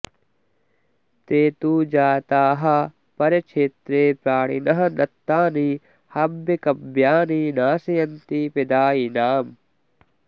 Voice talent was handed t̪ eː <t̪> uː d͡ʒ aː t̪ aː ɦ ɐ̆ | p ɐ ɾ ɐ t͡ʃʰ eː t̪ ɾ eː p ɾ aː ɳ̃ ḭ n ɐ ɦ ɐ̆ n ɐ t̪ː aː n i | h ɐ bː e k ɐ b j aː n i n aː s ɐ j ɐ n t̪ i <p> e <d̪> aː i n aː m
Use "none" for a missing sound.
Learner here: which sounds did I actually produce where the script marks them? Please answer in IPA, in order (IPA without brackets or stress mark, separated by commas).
t̪, p, d̪